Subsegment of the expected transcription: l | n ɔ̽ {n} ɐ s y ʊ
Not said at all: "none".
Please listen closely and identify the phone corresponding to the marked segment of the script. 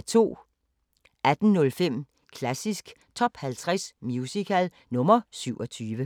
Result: m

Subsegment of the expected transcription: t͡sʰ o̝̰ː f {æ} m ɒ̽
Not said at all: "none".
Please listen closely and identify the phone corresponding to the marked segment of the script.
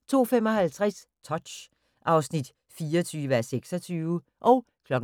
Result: e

